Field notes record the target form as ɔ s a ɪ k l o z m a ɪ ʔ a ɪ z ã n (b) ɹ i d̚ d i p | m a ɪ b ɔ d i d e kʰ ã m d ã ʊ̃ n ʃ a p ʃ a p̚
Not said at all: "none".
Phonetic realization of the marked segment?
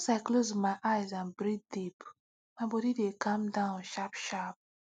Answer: b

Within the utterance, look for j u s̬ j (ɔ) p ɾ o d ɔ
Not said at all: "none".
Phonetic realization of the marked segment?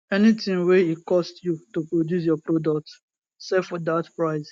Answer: ɔ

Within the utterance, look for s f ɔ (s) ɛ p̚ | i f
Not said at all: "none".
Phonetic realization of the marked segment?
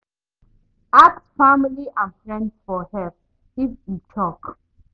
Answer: h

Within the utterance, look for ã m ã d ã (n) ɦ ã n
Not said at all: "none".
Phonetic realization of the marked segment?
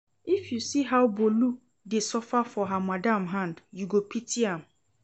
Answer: m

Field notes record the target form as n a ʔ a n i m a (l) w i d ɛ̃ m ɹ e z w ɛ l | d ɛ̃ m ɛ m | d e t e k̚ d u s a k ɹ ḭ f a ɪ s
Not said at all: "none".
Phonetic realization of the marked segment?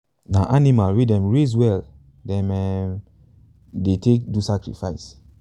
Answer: l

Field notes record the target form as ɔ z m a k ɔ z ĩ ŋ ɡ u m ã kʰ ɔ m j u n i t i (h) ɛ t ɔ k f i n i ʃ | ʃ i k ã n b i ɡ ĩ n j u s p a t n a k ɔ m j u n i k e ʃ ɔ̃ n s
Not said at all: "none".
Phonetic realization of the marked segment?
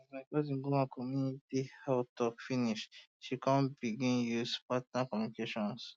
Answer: h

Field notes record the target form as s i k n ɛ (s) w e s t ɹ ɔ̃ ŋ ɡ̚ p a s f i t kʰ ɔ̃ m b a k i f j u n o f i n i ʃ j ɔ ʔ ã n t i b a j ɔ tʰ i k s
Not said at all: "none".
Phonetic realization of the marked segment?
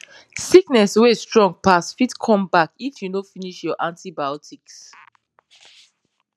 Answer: s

